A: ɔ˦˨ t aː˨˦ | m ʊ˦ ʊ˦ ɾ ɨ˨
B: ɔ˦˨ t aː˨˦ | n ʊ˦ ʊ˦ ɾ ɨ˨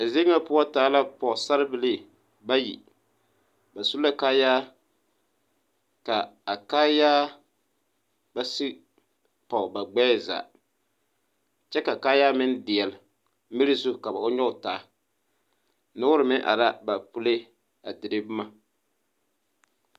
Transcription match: B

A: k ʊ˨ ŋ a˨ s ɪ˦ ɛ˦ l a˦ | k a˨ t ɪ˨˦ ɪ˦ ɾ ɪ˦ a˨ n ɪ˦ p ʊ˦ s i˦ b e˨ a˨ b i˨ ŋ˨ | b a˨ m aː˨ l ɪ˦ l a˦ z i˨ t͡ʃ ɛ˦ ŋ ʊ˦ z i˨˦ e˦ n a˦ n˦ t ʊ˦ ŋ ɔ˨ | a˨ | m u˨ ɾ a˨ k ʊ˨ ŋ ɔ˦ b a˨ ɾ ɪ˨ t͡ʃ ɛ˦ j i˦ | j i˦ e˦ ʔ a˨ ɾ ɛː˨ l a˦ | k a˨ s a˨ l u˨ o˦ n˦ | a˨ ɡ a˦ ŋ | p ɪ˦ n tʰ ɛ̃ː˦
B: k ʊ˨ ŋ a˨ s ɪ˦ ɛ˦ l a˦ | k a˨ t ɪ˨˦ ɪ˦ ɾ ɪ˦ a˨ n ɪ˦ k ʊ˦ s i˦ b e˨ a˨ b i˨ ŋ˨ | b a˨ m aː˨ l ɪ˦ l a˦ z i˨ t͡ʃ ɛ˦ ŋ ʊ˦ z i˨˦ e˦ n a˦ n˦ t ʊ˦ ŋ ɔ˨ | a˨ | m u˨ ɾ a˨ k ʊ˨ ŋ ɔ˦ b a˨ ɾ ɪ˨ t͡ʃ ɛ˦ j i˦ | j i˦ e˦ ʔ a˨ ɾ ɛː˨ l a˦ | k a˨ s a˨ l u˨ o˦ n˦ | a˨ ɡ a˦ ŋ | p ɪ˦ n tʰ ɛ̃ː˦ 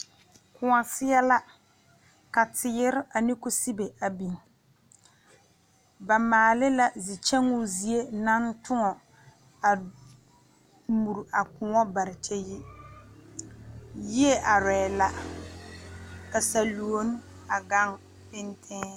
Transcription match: B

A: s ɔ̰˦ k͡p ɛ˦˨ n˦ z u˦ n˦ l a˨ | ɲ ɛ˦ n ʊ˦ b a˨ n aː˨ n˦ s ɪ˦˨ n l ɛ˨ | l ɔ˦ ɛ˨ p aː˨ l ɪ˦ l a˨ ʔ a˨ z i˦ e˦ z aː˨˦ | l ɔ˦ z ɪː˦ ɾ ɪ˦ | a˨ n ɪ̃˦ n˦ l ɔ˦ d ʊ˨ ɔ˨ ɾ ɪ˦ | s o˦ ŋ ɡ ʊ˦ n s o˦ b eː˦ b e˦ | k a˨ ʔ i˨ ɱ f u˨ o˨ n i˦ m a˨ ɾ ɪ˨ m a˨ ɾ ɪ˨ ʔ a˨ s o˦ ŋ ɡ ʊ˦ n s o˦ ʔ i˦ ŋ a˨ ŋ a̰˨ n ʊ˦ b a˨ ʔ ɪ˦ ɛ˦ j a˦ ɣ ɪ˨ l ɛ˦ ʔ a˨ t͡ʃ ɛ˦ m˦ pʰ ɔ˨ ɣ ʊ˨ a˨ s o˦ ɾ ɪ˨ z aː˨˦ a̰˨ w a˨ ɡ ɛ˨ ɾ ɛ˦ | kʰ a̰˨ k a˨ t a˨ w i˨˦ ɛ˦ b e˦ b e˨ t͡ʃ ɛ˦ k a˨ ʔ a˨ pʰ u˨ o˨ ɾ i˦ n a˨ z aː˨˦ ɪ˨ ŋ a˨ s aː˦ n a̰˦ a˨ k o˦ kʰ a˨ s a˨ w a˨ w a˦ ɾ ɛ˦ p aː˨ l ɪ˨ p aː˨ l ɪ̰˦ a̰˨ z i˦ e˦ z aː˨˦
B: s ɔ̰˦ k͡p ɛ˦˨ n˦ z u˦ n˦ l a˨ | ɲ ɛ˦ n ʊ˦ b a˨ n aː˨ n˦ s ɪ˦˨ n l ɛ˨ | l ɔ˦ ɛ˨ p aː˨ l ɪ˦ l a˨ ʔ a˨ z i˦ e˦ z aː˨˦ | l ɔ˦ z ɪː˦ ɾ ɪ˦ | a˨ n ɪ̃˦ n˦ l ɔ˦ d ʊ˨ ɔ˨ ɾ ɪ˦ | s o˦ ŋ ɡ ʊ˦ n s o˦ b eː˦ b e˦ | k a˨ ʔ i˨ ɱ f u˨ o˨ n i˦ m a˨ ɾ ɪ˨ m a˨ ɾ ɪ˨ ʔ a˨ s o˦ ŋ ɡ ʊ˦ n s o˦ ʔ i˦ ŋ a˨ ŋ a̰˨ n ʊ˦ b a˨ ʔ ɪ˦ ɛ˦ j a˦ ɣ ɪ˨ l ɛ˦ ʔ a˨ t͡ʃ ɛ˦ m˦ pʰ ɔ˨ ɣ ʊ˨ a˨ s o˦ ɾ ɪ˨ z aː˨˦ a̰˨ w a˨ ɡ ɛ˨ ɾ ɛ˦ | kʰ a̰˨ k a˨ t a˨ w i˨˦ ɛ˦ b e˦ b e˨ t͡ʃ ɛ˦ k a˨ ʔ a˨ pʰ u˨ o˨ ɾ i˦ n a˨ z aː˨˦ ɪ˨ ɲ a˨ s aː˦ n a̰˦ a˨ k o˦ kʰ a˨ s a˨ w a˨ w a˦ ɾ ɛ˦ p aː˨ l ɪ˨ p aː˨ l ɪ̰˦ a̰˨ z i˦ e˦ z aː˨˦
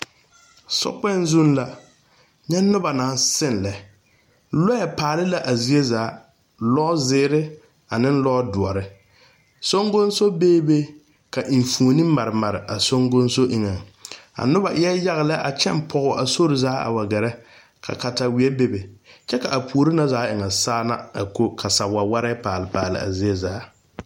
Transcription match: A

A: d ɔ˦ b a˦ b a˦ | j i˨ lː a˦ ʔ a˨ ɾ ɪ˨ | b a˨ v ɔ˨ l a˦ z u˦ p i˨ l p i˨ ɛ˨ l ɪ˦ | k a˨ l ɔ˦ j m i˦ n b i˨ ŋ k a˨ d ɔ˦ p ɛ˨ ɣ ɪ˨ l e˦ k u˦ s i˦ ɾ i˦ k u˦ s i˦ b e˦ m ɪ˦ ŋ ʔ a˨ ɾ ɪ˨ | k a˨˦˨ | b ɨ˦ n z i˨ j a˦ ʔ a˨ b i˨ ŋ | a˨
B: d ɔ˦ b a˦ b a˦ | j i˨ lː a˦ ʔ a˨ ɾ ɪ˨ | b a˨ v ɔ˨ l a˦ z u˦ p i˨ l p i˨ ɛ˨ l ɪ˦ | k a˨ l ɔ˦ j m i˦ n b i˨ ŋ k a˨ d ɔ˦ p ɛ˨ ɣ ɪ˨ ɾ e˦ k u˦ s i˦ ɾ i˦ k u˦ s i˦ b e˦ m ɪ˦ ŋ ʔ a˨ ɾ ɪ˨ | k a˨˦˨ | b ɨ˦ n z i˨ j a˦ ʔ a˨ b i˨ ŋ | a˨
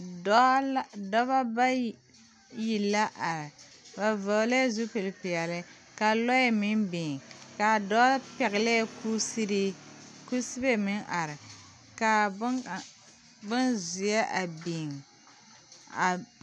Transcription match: A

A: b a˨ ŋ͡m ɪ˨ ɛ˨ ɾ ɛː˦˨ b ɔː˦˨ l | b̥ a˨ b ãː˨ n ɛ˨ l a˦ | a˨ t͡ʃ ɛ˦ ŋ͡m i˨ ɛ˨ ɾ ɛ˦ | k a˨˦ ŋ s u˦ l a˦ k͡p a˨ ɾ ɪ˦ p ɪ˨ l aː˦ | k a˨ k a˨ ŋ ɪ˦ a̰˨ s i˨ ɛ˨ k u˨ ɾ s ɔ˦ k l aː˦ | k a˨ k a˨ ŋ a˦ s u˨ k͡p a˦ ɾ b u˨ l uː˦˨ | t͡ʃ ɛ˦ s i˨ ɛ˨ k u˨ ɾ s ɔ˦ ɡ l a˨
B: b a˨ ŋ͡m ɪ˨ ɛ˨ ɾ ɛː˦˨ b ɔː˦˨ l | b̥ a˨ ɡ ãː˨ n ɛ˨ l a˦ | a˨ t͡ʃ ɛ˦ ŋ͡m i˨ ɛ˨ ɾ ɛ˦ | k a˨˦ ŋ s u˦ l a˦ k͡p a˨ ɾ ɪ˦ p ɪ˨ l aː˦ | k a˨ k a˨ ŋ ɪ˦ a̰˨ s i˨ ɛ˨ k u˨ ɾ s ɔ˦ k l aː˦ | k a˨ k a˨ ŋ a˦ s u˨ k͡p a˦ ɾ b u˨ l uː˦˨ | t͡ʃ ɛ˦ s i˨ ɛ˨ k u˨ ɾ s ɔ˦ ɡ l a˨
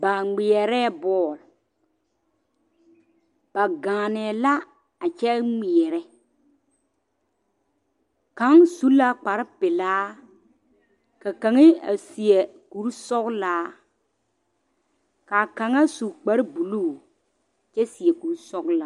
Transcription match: B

